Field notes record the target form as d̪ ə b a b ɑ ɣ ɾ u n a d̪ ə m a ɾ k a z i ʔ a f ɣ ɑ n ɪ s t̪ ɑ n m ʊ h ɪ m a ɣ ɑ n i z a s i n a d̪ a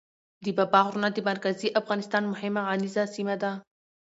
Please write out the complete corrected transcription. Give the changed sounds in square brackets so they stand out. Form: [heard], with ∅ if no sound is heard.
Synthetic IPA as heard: d̪ ə b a b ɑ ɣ ɾ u n a d̪ ə m a ɾ k a z i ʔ a f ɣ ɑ n ɪ s t̪ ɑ n m ʊ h ɪ m a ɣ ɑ n i z a s i [m] a d̪ a